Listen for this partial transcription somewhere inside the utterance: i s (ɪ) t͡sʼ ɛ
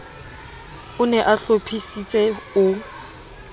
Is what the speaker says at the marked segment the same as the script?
no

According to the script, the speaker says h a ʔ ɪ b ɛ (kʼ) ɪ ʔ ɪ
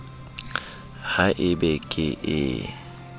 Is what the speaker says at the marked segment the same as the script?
yes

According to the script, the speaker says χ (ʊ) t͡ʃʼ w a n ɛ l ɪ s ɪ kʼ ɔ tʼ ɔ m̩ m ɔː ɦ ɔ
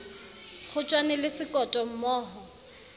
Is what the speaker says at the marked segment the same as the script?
yes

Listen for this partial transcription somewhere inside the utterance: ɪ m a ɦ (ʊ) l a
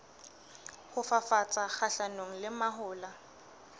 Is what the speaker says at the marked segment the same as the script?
no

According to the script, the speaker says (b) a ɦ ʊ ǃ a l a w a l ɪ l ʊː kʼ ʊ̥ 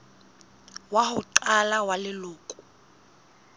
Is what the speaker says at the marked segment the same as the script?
no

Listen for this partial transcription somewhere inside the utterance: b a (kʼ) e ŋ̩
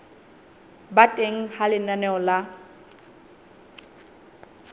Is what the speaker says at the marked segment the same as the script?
no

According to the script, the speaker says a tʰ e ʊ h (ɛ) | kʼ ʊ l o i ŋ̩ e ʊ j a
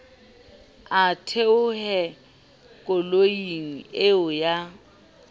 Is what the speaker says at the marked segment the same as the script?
yes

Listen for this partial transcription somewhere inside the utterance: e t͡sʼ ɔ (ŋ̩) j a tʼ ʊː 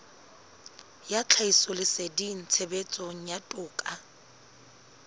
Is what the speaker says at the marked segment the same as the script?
yes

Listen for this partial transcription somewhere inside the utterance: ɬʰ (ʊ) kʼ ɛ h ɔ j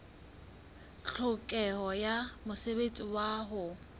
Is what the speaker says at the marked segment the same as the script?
yes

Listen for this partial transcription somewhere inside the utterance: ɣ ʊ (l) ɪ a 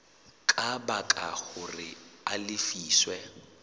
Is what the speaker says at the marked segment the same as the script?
no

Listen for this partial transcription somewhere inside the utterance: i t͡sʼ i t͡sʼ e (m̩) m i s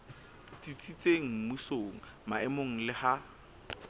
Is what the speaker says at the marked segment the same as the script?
no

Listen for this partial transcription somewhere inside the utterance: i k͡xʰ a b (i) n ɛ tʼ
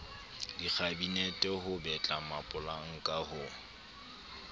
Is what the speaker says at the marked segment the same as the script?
yes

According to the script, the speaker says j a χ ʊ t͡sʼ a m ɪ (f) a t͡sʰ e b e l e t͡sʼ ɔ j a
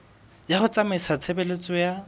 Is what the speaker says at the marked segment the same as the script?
no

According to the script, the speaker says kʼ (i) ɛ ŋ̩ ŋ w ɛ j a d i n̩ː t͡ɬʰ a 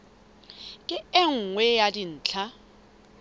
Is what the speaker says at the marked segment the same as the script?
no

